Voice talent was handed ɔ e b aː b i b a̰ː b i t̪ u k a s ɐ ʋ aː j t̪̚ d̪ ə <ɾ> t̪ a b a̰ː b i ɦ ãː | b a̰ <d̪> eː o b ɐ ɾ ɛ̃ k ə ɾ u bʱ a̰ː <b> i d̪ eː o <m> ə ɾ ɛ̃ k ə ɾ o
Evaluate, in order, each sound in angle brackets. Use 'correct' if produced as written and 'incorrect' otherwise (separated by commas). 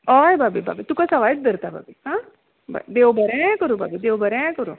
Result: correct, correct, correct, incorrect